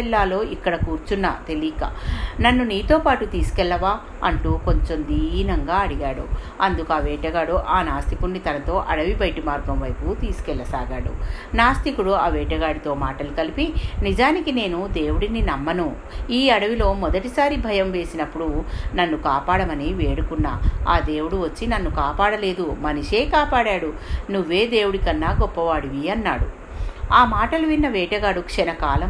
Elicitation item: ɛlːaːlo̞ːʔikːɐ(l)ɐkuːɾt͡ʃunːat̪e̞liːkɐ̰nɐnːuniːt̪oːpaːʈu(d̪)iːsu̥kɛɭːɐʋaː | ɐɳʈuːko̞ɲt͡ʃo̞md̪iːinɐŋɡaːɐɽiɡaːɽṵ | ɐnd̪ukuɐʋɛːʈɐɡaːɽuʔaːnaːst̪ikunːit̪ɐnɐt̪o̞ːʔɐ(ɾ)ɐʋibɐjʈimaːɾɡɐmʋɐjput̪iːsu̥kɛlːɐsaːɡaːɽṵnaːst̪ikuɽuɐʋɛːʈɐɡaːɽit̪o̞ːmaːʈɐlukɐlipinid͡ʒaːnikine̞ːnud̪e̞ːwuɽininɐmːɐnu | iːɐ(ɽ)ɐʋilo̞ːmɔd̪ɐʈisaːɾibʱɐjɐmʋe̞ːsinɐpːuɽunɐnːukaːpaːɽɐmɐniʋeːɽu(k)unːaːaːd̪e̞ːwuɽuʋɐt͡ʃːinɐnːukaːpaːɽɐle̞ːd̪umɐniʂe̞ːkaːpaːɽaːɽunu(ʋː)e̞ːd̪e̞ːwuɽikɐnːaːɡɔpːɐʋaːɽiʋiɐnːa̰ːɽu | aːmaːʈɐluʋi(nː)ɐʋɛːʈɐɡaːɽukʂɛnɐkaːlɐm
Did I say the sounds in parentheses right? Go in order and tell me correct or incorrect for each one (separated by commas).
incorrect, incorrect, incorrect, correct, correct, correct, correct